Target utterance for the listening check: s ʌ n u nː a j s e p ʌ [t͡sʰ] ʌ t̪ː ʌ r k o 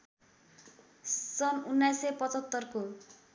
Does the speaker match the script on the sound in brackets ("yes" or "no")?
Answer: no